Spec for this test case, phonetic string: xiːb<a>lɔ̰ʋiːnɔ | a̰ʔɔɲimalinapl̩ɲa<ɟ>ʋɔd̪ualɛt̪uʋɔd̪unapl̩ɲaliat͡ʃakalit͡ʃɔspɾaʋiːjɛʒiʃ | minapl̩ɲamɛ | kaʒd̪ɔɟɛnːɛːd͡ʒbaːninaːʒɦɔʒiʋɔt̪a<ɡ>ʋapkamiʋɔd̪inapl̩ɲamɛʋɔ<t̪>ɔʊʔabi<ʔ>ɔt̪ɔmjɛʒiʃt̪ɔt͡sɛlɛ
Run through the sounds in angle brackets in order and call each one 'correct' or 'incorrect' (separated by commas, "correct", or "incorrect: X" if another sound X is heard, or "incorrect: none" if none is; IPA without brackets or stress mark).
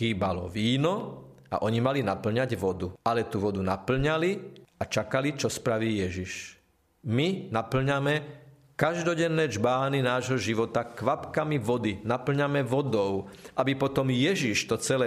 correct, correct, incorrect: k, incorrect: d̪, incorrect: p